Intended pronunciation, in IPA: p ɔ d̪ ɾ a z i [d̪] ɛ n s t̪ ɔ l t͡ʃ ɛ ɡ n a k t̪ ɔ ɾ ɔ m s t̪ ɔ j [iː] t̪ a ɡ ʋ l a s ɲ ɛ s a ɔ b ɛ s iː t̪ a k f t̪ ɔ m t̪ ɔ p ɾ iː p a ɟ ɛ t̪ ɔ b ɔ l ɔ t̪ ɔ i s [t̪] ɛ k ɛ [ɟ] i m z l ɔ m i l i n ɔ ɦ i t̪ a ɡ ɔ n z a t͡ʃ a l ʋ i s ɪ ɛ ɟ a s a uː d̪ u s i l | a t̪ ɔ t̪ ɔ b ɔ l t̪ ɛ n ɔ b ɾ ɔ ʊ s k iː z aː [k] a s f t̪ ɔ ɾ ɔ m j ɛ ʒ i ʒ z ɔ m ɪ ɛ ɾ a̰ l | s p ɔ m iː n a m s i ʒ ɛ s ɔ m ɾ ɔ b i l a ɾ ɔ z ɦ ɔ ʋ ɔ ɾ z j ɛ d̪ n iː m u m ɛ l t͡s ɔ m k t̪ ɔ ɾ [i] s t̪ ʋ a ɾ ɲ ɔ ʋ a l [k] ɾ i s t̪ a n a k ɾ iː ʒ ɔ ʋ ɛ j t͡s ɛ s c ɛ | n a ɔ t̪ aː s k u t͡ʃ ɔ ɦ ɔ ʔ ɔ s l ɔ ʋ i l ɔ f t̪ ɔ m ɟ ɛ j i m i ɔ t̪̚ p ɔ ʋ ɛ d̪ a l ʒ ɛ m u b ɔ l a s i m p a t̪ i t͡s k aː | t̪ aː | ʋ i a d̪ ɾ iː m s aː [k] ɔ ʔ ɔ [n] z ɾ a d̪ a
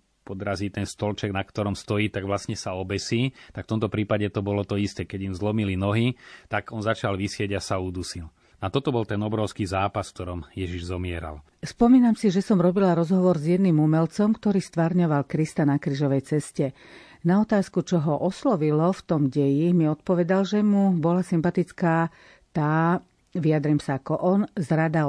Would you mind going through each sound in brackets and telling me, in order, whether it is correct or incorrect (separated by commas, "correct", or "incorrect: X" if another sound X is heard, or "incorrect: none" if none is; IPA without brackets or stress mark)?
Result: incorrect: t̪, correct, correct, correct, incorrect: p, incorrect: iː, correct, correct, correct